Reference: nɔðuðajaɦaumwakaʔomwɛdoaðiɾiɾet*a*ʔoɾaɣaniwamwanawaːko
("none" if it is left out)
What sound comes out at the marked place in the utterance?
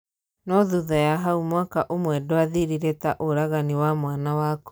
a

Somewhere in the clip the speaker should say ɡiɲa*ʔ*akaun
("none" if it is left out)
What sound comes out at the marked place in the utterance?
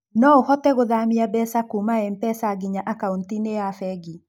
ʔ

